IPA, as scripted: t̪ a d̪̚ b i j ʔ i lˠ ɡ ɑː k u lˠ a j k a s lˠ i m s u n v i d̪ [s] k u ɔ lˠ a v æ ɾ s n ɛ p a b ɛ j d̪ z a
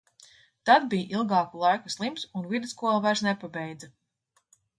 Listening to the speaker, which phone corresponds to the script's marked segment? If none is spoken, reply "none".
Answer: s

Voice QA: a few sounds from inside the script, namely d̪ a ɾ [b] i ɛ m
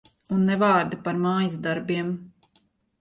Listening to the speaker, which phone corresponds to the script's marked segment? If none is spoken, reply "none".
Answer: b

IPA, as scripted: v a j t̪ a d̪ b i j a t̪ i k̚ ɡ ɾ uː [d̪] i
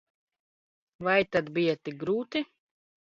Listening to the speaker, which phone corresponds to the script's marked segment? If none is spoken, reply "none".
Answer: t̪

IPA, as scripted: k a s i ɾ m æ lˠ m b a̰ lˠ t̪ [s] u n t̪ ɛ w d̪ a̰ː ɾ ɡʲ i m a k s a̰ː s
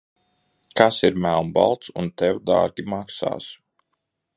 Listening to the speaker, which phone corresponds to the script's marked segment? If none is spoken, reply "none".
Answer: s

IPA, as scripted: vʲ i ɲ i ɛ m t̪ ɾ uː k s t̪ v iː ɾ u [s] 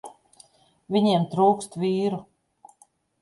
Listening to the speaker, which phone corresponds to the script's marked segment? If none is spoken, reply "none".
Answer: none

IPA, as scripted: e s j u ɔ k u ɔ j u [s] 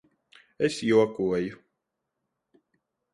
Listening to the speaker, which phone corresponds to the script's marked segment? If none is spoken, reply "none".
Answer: none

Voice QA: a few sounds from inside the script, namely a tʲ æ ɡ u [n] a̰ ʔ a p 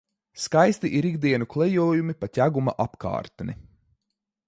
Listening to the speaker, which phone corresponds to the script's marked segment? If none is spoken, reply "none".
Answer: m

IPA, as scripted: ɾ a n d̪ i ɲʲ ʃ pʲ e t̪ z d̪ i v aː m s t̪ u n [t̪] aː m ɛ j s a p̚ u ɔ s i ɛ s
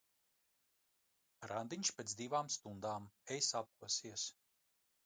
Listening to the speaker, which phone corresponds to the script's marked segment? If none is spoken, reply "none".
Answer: d̪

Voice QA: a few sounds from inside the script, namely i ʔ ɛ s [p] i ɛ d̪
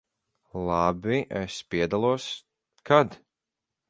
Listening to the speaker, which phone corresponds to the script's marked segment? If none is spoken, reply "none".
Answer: p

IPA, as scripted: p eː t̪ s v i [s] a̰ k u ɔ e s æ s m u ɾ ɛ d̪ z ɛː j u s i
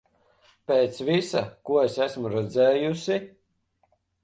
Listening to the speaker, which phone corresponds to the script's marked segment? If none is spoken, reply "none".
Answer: s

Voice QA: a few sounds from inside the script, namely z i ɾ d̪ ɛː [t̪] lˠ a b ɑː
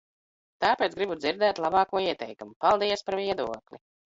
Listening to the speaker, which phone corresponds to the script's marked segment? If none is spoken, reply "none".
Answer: t̪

